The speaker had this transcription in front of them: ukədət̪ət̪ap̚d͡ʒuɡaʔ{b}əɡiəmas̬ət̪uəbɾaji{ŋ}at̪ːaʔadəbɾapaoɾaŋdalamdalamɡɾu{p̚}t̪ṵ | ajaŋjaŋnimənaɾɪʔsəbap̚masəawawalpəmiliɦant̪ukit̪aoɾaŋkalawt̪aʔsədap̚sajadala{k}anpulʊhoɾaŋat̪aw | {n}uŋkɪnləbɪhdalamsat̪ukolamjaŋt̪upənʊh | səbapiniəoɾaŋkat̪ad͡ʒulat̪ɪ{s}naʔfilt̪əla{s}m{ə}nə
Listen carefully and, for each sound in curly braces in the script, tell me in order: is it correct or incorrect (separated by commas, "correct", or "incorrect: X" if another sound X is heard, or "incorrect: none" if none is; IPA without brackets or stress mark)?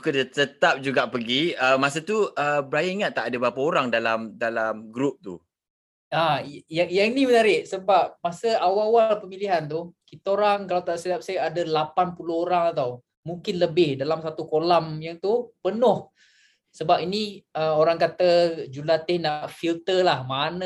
incorrect: p, correct, correct, incorrect: p, incorrect: m, incorrect: h, incorrect: h, incorrect: a